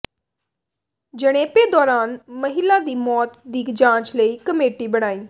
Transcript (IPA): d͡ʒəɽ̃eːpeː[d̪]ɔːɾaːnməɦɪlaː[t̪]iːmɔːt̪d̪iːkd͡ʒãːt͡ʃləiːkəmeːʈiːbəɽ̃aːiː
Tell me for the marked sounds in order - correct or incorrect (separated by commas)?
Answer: correct, incorrect